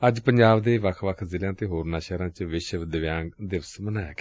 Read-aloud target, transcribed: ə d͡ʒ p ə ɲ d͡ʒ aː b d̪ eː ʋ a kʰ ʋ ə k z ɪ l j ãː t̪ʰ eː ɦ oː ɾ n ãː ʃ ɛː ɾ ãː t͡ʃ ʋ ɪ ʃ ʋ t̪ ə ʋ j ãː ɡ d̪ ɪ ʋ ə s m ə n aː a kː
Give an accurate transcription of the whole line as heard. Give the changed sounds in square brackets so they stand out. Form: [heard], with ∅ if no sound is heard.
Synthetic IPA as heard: ə d͡ʒ p ə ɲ d͡ʒ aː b d̪ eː ʋ [ə] kʰ ʋ ə [kʰ] z ɪ l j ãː [t̪] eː ɦ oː ɾ n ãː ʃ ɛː ɾ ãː t͡ʃ ʋ ɪ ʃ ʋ [d̪] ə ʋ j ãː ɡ d̪ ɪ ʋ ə s m ə n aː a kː